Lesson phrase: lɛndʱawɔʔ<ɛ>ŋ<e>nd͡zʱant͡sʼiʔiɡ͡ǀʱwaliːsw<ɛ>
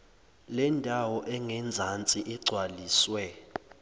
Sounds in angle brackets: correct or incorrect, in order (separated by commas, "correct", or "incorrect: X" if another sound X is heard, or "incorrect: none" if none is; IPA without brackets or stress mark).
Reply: correct, incorrect: ɛ, correct